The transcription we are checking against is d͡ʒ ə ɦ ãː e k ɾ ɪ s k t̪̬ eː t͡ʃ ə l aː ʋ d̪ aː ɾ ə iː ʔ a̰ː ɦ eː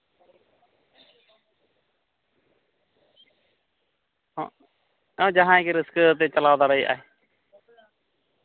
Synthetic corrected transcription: d͡ʒ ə ɦ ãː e k ɾ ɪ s k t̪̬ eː t͡ʃ ə l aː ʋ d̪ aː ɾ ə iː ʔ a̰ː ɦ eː